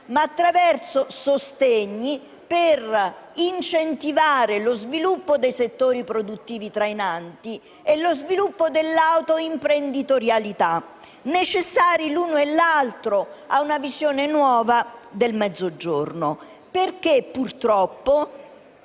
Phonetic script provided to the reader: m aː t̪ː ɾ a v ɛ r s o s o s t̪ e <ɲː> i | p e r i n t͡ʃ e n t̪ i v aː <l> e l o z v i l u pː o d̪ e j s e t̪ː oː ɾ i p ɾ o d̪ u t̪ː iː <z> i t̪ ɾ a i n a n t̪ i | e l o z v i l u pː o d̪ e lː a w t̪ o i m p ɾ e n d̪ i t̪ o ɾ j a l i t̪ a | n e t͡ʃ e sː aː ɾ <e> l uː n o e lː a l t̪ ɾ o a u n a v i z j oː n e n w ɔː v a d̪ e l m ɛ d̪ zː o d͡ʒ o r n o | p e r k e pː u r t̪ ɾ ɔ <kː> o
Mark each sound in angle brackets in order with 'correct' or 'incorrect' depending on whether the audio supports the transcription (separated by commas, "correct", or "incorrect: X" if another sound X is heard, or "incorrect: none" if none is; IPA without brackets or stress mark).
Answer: correct, incorrect: ɾ, incorrect: v, incorrect: i, incorrect: pː